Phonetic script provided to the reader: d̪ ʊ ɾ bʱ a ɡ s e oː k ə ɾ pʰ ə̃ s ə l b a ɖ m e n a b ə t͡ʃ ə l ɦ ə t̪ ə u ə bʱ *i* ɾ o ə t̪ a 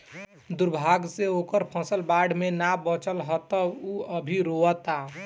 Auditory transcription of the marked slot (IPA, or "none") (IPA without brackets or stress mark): i